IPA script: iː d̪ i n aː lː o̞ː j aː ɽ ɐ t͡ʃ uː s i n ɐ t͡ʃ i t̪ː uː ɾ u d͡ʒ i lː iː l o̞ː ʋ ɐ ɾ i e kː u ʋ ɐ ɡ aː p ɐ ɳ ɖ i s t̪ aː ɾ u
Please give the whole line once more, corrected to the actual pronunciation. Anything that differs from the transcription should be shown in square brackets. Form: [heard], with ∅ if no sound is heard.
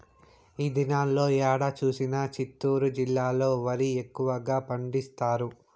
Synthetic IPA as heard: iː d̪ i n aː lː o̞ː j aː ɽ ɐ t͡ʃ uː s i n ɐ t͡ʃ i t̪ː uː ɾ u d͡ʒ i lː [aː] l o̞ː ʋ ɐ ɾ i e kː u ʋ ɐ ɡ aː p ɐ ɳ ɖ i s t̪ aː ɾ u